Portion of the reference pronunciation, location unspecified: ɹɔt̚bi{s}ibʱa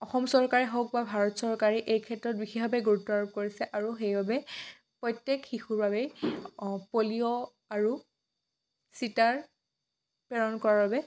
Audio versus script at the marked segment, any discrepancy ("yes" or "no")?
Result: yes